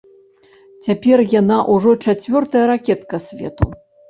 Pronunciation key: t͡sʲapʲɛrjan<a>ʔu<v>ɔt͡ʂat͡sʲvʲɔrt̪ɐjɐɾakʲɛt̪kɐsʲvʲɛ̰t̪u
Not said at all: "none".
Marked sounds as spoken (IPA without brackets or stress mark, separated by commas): a, ʐ